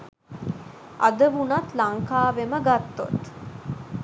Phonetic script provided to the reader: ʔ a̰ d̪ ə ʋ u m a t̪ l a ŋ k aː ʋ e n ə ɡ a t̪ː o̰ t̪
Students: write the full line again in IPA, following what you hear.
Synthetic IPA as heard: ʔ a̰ d̪ ə ʋ u n a t̪ l a ŋ k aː ʋ e m ə ɡ a t̪ː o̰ t̪